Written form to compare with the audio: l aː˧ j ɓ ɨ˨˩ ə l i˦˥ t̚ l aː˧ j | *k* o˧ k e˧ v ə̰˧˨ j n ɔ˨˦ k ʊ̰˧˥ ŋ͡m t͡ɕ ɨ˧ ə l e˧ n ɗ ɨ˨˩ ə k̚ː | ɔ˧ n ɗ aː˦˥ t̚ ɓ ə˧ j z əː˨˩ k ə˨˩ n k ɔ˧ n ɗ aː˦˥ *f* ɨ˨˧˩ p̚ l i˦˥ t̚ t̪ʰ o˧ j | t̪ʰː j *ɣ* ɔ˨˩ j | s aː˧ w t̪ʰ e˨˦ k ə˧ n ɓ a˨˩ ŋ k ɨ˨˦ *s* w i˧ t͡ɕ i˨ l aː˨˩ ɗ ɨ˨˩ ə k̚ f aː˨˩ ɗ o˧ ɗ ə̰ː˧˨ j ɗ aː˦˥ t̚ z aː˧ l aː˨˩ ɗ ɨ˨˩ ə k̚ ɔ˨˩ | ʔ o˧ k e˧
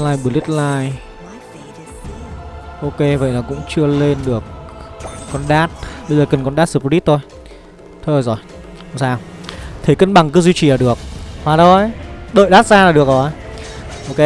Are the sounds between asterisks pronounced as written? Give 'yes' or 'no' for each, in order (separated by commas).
no, no, no, no